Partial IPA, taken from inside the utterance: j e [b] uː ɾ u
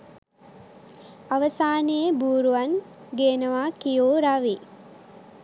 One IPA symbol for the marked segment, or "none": b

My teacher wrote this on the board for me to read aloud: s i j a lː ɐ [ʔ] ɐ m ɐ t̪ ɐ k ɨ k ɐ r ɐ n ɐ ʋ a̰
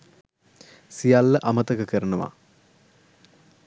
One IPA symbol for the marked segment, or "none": ʔ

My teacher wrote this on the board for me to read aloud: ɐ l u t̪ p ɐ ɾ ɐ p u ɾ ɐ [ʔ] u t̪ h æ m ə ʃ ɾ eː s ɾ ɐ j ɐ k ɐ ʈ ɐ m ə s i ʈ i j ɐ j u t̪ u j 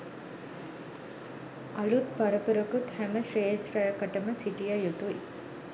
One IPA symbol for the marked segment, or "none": k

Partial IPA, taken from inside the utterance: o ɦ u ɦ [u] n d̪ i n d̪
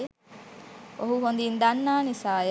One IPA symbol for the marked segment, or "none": o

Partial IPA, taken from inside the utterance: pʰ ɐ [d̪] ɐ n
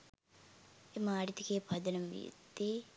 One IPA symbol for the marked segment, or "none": d̪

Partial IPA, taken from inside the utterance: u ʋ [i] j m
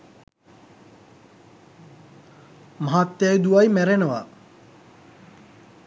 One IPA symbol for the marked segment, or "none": a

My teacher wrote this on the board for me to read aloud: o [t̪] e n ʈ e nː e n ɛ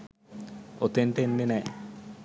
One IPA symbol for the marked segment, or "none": t̪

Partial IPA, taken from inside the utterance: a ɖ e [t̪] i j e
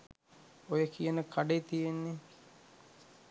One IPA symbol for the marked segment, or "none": t̪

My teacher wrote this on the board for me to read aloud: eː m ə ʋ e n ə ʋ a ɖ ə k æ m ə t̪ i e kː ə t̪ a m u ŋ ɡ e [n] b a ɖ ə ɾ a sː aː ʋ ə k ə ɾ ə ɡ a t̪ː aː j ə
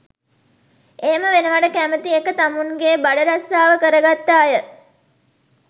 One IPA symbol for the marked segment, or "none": none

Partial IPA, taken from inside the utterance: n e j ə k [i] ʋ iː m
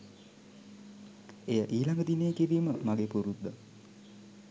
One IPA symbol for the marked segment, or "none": i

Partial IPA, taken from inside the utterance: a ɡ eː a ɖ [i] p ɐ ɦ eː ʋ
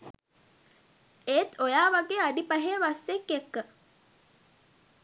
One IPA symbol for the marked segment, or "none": i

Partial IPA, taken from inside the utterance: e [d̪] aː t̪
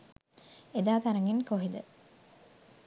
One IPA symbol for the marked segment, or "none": d̪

